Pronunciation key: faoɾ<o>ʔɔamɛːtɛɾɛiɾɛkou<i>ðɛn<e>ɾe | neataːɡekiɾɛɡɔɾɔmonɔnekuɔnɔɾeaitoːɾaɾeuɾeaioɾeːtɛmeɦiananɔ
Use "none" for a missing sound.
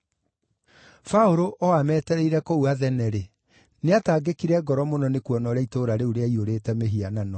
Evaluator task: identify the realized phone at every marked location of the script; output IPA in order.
o, a, ɛ

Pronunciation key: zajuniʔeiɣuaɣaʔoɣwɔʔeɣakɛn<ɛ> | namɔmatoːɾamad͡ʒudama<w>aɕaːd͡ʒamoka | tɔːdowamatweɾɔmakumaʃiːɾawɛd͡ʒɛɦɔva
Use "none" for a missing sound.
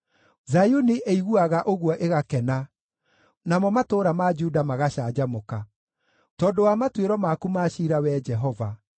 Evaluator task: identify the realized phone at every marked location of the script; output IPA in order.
a, ɣ

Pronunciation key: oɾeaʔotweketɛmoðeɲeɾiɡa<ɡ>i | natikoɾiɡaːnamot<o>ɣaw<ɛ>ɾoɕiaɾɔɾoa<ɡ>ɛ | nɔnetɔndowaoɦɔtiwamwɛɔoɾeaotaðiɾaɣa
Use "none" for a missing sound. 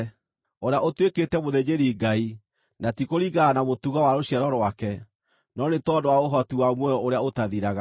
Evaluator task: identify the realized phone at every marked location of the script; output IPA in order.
none, u, a, k

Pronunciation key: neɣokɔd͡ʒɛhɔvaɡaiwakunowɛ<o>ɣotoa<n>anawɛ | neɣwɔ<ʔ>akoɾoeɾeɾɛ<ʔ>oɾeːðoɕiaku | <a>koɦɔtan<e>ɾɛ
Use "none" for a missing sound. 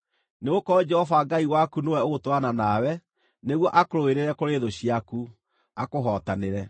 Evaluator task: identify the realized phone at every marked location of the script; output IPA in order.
o, n, ʔ, k, a, e

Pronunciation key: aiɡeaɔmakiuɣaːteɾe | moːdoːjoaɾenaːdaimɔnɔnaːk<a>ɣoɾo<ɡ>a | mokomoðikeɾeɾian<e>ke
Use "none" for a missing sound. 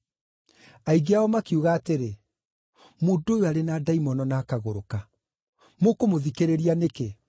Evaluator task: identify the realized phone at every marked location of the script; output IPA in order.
a, k, e

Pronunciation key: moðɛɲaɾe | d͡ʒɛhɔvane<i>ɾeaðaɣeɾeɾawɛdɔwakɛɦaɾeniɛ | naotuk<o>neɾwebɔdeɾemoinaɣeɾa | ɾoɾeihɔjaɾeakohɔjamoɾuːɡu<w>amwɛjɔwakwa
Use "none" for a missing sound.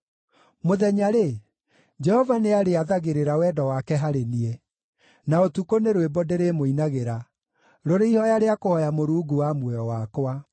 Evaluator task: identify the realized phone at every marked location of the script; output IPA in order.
a, o, w

